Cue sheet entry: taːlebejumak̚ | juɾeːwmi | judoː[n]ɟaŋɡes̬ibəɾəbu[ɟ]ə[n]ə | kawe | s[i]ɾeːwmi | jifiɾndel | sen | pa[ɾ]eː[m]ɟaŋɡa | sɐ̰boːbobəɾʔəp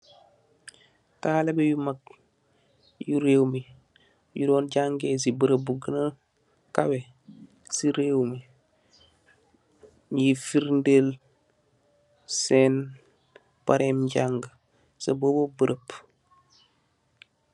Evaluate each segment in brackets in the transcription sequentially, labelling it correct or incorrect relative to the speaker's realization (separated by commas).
correct, incorrect, correct, correct, correct, correct